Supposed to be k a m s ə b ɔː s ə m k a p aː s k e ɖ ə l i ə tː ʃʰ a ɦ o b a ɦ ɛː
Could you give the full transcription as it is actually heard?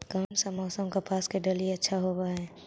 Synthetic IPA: k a m s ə m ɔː s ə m k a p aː s k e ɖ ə l i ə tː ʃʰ a ɦ o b a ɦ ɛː